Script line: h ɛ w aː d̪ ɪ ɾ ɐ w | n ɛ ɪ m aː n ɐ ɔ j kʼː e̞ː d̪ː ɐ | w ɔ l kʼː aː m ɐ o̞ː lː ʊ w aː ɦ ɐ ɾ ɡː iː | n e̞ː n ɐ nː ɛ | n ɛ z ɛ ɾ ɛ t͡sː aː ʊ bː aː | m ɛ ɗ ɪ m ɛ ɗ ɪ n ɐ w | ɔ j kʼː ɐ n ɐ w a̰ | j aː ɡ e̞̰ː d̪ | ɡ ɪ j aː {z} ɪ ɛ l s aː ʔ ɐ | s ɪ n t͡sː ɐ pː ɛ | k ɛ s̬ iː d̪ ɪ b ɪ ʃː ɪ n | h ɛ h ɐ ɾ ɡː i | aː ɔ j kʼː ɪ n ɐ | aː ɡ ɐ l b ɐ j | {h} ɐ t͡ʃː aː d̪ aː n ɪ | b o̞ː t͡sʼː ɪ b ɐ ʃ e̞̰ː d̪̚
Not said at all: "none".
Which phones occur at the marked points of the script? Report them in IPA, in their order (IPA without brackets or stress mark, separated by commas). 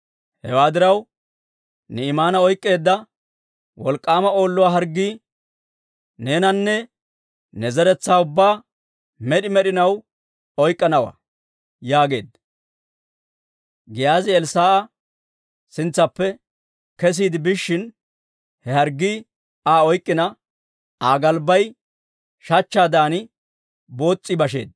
z, ʃ